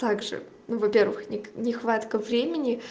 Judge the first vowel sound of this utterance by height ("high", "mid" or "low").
low